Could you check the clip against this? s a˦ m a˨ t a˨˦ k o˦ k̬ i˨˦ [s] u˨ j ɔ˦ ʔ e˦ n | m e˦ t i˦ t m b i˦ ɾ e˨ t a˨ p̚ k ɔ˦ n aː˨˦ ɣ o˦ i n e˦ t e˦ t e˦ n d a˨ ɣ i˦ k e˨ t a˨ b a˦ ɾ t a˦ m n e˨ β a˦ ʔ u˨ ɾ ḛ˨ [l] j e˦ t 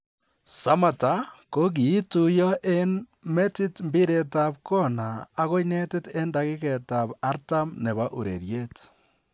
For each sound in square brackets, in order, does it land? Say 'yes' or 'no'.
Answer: no, no

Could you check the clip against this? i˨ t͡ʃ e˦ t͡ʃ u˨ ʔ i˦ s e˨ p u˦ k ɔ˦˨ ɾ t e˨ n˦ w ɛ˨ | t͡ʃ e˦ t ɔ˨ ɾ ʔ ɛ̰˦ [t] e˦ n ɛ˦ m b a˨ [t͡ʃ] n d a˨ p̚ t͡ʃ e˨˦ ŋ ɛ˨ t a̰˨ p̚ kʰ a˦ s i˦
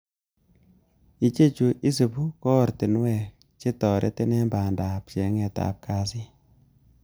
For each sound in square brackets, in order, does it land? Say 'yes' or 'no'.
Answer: yes, no

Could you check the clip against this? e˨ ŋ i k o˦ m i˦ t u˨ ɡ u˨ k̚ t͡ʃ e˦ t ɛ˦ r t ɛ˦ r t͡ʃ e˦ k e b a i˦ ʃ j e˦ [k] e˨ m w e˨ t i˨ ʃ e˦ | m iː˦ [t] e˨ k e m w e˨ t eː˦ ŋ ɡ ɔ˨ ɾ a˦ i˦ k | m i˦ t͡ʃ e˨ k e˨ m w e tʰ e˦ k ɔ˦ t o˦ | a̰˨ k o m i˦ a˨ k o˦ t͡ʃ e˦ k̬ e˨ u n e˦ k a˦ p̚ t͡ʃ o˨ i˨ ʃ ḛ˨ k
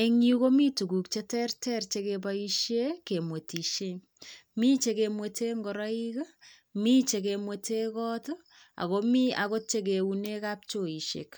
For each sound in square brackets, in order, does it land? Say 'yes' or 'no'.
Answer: yes, no

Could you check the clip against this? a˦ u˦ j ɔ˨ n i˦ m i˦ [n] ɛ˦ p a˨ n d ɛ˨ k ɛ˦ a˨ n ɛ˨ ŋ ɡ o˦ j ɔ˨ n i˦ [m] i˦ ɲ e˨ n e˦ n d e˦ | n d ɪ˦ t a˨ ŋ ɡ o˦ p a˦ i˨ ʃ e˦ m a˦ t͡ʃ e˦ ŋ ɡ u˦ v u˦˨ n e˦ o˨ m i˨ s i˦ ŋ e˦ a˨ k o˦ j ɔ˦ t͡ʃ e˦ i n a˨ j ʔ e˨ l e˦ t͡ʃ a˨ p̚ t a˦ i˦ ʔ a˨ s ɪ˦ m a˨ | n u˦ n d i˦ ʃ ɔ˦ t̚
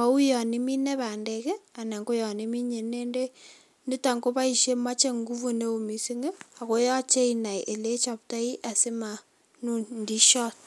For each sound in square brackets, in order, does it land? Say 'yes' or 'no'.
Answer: yes, yes

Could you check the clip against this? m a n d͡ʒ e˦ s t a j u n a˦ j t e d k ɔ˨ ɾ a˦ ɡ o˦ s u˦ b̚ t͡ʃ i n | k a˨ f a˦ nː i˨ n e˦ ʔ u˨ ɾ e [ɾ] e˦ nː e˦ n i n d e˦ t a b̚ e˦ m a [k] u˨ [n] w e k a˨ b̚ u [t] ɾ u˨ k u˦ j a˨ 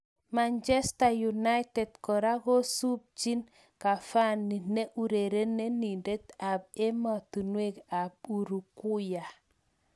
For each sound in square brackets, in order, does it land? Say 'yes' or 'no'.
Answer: yes, no, yes, no

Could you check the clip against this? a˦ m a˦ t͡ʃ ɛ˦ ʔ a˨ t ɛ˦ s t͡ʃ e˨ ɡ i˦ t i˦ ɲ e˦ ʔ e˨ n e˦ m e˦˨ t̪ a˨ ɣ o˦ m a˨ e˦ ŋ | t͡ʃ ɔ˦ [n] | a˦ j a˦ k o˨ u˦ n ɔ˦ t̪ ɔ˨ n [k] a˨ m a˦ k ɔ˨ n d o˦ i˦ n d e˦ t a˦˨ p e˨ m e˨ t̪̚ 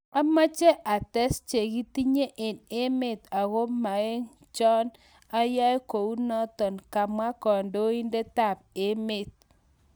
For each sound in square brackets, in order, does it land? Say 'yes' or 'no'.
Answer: yes, yes

